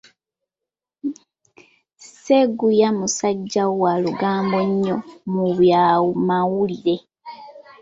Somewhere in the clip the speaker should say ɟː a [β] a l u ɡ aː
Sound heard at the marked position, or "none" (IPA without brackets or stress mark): w